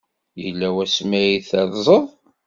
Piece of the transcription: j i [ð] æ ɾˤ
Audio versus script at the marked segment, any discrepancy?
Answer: yes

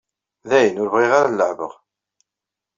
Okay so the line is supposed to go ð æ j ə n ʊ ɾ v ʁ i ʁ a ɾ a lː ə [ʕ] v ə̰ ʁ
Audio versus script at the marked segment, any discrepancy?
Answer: no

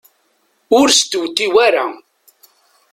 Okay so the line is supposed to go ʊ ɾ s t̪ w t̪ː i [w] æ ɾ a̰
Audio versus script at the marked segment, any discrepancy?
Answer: no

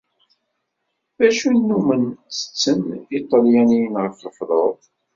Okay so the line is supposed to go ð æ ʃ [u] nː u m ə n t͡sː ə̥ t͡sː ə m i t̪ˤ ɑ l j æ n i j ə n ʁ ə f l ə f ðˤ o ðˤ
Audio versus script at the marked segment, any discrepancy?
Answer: no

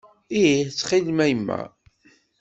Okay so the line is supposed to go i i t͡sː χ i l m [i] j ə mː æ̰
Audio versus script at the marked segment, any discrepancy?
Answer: yes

